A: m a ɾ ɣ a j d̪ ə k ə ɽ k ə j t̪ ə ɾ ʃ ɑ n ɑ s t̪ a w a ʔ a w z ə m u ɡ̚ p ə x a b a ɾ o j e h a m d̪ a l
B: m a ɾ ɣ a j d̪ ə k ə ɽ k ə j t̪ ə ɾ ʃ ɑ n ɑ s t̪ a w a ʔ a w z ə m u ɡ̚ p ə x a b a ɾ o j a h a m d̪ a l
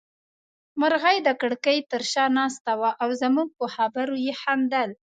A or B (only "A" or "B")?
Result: A